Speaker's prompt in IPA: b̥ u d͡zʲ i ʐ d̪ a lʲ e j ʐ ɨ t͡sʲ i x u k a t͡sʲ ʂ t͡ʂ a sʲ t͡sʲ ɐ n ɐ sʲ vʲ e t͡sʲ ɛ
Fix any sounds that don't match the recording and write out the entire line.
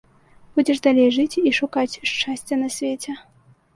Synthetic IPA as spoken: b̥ u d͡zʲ ɛ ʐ d̪ a lʲ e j ʐ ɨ t͡sʲ i ʂ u k a t͡sʲ ʂ t͡ʂ a sʲ t͡sʲ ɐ n ɐ sʲ vʲ e t͡sʲ ɛ